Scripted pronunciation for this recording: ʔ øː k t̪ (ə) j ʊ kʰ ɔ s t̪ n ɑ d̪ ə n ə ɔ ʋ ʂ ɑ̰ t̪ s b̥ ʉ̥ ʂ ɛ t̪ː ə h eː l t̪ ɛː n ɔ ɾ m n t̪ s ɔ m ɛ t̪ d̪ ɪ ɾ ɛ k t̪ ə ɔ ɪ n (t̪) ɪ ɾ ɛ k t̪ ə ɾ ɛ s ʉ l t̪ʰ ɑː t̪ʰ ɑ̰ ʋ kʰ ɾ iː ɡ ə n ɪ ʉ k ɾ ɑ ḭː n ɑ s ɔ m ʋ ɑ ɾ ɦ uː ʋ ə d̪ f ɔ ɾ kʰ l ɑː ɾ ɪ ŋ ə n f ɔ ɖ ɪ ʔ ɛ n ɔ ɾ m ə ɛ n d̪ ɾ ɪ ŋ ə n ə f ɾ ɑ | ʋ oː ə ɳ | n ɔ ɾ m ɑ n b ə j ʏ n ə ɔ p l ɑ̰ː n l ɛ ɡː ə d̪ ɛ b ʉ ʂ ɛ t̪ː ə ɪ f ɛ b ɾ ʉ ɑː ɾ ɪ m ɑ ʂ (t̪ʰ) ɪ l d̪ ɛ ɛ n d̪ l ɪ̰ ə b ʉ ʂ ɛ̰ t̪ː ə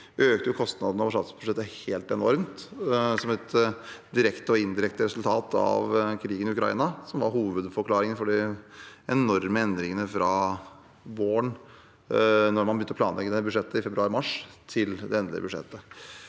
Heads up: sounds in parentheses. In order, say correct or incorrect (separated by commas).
correct, incorrect, correct